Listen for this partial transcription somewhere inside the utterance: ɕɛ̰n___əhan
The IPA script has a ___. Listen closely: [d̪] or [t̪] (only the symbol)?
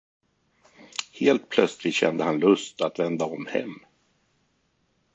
d̪